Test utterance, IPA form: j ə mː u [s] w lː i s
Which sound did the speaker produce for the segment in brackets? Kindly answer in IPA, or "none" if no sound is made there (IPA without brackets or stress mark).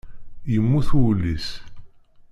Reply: θ